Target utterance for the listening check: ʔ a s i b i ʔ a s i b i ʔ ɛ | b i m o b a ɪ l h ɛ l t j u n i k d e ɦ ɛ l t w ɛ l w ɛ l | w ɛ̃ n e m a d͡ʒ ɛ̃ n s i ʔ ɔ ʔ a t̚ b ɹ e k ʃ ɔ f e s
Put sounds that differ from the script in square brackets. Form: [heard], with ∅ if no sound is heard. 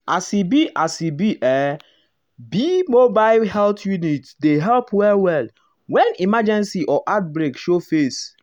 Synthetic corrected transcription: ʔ a s i b i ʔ a s i b i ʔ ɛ | b i m o b a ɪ l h ɛ l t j u n i [t] d e ɦ ɛ l [p] w ɛ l w ɛ l | w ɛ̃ n [i] m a d͡ʒ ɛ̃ n s i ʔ ɔ ʔ a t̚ b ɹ e k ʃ [o] f e s